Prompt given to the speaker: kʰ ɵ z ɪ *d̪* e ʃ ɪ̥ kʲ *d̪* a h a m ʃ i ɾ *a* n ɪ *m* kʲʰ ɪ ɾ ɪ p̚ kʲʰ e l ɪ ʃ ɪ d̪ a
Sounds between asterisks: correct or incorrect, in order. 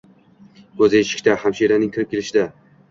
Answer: incorrect, incorrect, correct, incorrect

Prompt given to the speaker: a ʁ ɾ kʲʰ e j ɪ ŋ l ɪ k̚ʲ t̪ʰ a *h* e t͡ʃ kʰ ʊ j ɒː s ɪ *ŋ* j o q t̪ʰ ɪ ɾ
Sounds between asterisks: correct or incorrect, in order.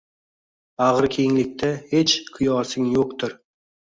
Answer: correct, correct

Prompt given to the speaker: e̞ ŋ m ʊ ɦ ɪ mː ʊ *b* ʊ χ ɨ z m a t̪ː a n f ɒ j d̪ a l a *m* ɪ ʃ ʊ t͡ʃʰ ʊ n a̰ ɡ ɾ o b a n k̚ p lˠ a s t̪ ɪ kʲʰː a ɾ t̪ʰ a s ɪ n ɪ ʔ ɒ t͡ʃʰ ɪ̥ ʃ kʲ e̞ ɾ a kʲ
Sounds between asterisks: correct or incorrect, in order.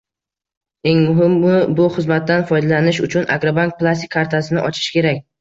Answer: correct, incorrect

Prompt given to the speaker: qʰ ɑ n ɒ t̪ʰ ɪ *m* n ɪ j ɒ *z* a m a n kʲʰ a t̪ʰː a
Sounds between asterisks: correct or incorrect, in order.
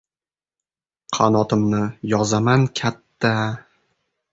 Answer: correct, correct

